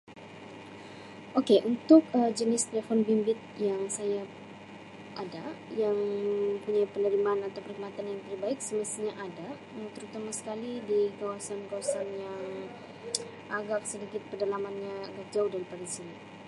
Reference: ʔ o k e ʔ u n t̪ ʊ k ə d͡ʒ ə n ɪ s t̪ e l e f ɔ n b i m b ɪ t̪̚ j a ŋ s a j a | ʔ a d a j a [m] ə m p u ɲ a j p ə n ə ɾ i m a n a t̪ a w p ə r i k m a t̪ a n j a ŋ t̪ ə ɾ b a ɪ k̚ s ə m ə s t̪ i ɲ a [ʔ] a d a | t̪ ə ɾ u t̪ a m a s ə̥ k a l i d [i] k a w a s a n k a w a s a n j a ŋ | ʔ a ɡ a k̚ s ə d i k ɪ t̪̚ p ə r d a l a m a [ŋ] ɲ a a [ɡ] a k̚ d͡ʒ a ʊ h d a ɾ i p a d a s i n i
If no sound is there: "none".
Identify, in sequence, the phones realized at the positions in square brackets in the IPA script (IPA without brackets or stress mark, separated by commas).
ŋ, ʔ, i, n, ɡ